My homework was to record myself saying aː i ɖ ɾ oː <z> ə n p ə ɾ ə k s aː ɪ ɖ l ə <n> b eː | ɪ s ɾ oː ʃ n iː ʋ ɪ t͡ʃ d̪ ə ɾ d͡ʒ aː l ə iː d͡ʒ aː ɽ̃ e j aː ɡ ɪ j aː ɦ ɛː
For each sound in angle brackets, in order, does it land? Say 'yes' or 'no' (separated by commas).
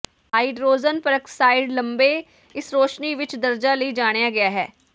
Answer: yes, no